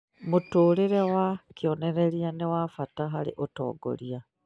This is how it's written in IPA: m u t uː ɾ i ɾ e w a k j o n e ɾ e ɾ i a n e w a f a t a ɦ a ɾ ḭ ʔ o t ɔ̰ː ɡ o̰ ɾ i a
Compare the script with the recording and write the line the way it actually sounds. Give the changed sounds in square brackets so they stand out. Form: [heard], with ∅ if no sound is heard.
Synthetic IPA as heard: m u t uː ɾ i ɾ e w a k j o n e ɾ e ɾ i a n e w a f a t a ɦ a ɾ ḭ ʔ o t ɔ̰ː ɡ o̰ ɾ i a